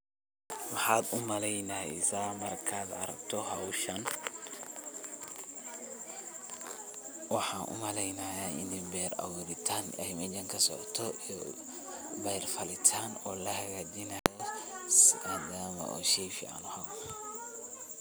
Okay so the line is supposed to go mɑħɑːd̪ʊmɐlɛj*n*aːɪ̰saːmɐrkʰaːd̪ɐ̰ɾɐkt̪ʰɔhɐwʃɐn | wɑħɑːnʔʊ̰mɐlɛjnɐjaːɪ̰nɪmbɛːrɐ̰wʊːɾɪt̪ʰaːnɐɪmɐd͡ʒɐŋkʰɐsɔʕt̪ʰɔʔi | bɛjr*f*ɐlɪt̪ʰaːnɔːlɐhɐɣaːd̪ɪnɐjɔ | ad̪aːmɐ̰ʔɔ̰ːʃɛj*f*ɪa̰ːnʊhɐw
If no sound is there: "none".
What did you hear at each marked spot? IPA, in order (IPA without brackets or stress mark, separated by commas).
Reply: n, f, f